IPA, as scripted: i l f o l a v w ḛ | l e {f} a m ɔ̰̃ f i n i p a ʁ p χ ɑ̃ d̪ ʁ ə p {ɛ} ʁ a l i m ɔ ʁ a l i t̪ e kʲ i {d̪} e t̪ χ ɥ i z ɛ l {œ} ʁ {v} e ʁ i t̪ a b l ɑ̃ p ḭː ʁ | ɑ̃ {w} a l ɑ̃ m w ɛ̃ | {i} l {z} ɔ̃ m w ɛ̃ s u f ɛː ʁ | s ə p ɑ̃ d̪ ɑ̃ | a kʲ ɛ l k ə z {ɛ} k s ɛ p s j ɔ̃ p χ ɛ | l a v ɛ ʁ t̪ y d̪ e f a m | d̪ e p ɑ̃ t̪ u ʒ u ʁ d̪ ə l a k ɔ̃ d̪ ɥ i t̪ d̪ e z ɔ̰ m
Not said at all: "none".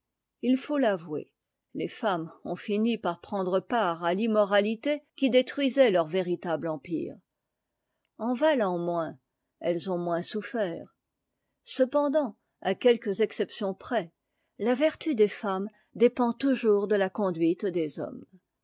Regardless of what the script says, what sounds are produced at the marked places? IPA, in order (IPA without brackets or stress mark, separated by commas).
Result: f, a, d̪, œ, v, v, ɛ, z, ɛ